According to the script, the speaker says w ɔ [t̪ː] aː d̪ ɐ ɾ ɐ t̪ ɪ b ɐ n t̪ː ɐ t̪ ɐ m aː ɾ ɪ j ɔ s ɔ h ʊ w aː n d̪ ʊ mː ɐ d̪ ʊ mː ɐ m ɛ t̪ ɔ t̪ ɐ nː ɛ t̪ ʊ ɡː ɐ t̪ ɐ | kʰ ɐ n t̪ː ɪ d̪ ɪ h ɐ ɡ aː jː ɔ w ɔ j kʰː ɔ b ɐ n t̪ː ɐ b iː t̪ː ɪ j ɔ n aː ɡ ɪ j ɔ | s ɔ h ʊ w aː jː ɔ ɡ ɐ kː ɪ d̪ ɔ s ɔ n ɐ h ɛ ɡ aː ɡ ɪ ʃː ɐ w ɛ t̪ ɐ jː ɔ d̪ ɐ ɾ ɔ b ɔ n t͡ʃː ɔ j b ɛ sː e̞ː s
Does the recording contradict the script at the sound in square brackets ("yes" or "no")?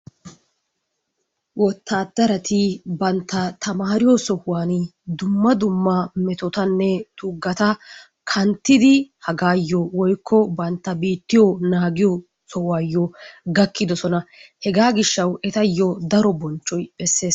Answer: no